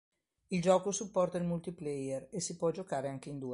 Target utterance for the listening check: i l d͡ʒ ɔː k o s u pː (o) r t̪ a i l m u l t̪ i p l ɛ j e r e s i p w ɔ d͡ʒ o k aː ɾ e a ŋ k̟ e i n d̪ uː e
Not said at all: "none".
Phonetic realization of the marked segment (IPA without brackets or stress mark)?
ɔ